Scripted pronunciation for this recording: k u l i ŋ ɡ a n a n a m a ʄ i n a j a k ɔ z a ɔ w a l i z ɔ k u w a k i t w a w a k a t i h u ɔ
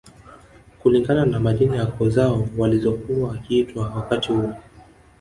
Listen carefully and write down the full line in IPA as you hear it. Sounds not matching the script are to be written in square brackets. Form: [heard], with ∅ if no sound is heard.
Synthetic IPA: k u l i ŋ ɡ a n a n a m a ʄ i n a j a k ɔ z a ɔ w a l i z ɔ k u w a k i t w a w a k a t i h u ɔ